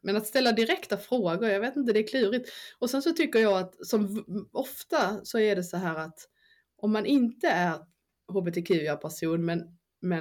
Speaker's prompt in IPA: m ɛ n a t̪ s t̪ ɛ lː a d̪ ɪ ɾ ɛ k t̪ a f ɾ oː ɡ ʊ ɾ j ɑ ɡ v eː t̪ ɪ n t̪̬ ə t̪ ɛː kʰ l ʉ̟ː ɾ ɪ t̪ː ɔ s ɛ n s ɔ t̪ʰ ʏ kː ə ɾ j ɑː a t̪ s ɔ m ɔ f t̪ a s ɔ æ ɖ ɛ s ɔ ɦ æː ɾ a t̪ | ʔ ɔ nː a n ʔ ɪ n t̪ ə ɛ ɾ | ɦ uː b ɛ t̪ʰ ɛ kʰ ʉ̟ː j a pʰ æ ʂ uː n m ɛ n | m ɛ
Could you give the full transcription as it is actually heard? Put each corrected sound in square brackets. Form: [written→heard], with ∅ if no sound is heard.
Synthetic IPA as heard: m ɛ n a t̪ s t̪ ɛ lː a d̪ ɪ ɾ ɛ k t̪ a f ɾ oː ɡ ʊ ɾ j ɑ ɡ v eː t̪ ɪ n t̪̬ ə [t̪→d̪] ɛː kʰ l ʉ̟ː ɾ ɪ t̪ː ɔ s ɛ n s ɔ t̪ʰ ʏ kː ə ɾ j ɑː a t̪ s ɔ m ɔ f t̪ a s ɔ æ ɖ ɛ s ɔ ɦ æː ɾ a t̪ | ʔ ɔ [nː→mː] a n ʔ ɪ n t̪ ə [ɛ→æ] ɾ | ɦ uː b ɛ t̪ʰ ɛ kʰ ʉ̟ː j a pʰ æ ʂ uː n m ɛ n | m ɛ